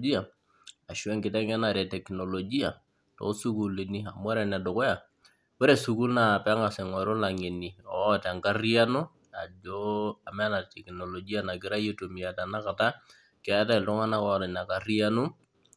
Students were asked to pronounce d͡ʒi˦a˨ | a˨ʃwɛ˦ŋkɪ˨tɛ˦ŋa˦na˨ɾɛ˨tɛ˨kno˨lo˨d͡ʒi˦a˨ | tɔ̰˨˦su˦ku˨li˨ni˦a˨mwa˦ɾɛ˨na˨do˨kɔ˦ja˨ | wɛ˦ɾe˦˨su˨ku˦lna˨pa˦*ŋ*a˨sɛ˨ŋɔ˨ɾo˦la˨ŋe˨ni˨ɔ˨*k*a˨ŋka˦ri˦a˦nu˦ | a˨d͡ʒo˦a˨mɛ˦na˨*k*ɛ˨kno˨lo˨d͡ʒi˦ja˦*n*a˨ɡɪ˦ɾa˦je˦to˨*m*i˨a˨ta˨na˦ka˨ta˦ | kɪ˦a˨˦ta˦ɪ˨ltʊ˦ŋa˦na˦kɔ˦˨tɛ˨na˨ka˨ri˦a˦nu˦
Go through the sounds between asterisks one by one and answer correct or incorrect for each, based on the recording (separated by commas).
correct, incorrect, incorrect, correct, correct